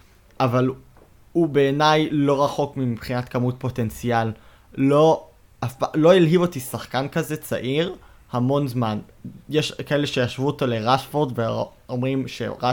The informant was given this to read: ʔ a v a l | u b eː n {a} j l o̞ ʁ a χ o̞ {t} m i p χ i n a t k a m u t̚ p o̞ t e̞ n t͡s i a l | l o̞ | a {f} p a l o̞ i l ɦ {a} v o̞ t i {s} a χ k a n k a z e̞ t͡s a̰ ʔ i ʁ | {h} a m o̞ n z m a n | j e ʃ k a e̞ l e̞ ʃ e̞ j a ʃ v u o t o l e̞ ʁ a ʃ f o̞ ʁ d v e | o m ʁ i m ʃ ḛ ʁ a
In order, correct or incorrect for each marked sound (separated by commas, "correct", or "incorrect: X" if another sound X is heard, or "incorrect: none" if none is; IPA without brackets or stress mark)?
correct, incorrect: k, correct, incorrect: i, correct, correct